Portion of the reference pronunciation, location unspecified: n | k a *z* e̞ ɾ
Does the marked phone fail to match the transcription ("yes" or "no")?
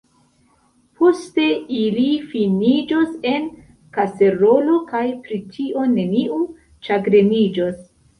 yes